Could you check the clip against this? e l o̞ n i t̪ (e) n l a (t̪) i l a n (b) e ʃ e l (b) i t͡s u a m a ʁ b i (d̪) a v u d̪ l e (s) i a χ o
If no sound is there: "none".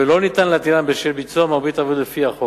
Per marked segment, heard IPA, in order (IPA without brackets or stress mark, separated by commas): a, t̪, b, b, t̪, f